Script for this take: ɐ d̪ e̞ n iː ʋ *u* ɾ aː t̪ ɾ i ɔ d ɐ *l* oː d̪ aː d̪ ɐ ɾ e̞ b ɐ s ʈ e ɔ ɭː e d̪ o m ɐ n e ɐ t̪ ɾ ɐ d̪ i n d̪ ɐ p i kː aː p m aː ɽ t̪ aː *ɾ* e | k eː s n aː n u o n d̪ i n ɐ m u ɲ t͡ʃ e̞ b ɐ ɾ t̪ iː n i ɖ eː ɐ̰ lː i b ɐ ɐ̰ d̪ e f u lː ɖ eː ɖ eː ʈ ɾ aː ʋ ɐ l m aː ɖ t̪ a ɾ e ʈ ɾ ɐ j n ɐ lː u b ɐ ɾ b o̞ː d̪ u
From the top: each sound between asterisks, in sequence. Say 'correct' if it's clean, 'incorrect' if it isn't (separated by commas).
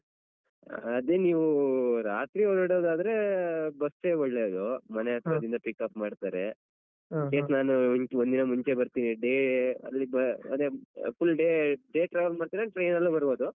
correct, incorrect, correct